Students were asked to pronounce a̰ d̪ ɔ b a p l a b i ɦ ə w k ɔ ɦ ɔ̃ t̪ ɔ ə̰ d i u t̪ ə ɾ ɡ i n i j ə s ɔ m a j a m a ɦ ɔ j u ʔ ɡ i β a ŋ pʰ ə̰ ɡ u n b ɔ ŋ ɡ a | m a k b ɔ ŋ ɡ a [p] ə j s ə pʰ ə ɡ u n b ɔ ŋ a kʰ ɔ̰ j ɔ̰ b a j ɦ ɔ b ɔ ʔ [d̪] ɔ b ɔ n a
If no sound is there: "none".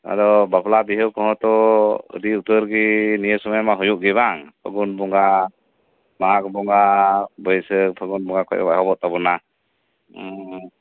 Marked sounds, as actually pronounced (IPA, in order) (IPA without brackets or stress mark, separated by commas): b, t̪